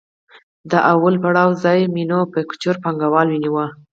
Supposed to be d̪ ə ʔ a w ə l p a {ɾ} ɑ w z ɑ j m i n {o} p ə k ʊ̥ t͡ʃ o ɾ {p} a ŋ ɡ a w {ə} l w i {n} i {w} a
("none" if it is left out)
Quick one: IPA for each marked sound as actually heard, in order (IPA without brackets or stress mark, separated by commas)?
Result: ɽ, o, p, ɑ, n, w